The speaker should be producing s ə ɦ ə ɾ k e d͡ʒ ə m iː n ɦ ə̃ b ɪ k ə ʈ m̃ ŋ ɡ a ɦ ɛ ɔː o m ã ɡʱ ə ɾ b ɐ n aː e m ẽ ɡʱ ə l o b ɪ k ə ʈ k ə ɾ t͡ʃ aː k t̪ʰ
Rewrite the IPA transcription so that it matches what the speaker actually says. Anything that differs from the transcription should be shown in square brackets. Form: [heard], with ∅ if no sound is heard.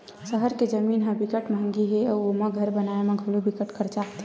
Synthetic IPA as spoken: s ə ɦ ə ɾ k e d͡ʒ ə m iː n ɦ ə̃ b ɪ k ə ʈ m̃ ŋ ɡ [i] ɦ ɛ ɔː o m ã ɡʱ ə ɾ b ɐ n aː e m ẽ ɡʱ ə l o b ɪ k ə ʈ k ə ɾ t͡ʃ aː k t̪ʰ